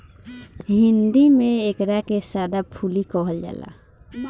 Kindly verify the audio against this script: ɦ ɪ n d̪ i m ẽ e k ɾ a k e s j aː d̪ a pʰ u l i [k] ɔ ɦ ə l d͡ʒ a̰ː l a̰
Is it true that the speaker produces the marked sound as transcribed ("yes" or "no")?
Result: yes